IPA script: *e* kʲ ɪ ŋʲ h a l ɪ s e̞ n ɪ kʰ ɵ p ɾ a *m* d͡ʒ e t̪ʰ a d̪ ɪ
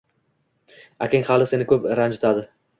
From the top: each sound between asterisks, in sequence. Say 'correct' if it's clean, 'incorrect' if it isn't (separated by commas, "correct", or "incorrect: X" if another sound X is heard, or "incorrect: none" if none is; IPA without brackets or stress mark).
incorrect: a, incorrect: n